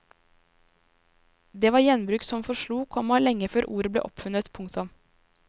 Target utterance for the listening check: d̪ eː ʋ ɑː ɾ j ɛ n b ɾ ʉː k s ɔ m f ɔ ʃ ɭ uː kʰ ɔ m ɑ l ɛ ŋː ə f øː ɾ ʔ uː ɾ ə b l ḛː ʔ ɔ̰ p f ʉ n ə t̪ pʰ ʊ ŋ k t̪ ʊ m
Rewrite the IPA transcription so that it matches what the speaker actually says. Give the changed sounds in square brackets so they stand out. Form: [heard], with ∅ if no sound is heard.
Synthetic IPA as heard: d̪ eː ʋ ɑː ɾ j ɛ n b ɾ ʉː k s ɔ m f ɔ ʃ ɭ uː kʰ ɔ m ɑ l ɛ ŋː ə f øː ɾ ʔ uː ɾ ə b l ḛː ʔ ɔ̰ p f ʉ n ə t̪ pʰ ʊ ŋ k t̪ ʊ m